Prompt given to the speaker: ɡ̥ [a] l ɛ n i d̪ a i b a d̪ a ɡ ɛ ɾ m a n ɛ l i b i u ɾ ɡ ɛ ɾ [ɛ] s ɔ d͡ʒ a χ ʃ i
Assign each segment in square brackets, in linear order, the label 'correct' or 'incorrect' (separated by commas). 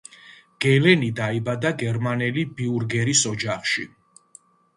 incorrect, incorrect